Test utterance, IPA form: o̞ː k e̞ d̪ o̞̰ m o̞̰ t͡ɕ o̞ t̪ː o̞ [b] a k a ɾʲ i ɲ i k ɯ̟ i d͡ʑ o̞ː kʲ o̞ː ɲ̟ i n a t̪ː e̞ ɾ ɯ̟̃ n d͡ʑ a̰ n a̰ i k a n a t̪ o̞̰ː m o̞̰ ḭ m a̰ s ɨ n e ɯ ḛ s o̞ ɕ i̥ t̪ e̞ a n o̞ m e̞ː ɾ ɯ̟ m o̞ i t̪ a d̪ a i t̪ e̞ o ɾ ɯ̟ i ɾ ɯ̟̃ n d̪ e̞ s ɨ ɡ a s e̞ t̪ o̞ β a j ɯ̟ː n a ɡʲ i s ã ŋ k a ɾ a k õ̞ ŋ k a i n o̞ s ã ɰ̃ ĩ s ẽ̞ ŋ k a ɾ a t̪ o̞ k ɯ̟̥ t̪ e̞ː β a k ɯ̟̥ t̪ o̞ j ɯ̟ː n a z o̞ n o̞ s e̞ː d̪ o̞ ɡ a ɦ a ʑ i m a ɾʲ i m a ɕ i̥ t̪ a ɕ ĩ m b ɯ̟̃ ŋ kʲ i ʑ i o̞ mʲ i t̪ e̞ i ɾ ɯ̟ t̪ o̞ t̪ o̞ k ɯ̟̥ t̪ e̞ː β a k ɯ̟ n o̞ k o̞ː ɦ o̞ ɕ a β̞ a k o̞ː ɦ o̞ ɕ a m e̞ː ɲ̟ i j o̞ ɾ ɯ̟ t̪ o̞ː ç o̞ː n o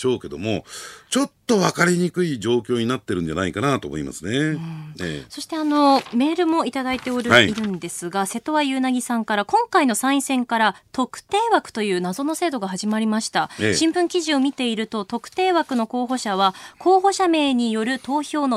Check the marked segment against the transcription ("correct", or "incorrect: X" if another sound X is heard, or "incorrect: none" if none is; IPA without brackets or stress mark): incorrect: β